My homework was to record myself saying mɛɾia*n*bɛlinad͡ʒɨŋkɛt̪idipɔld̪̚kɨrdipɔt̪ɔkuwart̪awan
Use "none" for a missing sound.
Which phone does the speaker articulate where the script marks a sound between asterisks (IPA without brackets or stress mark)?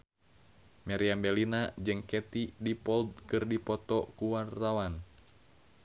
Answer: m